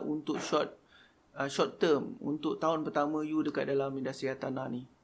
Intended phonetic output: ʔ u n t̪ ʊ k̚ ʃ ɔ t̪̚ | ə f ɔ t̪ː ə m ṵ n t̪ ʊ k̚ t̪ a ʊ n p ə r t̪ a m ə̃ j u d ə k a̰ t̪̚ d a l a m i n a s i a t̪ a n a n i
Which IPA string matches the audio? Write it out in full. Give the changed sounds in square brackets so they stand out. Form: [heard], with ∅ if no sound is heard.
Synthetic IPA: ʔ u n t̪ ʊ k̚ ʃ ɔ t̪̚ | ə [ʃ] ɔ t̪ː ə m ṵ n t̪ ʊ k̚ t̪ a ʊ n p ə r t̪ a m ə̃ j u d ə k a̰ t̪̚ d a l a m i [d] a s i a t̪ a n a n i